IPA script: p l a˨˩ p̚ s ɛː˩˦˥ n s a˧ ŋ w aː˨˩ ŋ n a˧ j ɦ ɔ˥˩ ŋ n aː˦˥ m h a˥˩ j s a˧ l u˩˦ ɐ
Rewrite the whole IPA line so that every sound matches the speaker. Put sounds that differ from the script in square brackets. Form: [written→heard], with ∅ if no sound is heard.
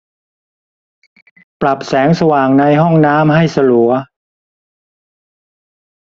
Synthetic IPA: p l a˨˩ p̚ s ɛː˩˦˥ [n→ŋ] s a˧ [ŋ→∅] w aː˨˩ ŋ n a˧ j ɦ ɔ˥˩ ŋ n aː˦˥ m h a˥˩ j s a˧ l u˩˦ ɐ